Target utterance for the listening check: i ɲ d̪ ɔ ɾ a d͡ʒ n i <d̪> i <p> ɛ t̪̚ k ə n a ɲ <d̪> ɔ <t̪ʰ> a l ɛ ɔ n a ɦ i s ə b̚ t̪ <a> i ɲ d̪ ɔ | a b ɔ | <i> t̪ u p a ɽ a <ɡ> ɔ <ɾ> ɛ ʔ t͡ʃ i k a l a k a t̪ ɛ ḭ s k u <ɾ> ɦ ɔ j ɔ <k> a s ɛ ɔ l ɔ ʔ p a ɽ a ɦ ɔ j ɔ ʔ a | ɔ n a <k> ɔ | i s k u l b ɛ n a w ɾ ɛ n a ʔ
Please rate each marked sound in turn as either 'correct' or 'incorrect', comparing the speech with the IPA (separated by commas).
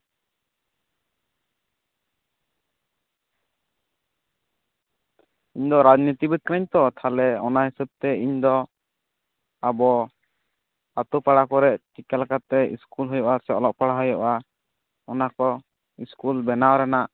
incorrect, incorrect, incorrect, correct, incorrect, incorrect, incorrect, correct, incorrect, incorrect, correct